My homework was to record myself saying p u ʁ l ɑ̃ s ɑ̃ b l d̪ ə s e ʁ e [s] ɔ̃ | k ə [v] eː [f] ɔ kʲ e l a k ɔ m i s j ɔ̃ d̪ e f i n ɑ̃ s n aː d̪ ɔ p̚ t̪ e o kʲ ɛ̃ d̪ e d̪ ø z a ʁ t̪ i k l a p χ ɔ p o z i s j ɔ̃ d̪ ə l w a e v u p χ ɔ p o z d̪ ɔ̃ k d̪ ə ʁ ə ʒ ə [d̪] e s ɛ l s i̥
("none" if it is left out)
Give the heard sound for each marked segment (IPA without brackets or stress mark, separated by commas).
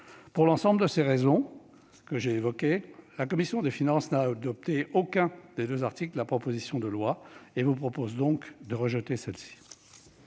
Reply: z, ʒ, v, t̪